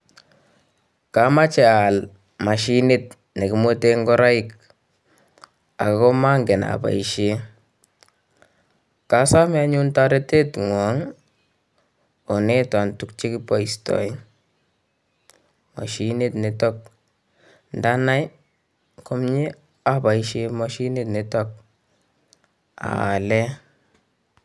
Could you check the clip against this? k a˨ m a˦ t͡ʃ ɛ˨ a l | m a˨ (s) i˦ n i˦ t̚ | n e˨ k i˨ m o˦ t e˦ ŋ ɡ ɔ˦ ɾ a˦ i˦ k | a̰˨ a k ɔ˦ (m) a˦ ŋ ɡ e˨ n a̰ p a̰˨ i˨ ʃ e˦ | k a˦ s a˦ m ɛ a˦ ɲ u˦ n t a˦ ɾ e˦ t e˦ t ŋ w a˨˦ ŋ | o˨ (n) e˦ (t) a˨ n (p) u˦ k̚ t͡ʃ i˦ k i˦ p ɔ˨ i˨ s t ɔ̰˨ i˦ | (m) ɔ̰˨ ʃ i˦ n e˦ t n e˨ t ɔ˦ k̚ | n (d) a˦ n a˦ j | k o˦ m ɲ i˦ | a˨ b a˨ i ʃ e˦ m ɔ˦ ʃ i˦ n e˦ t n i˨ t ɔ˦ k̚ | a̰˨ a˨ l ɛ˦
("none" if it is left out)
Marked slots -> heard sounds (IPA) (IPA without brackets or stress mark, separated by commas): ʃ, m, n, t, t, m, d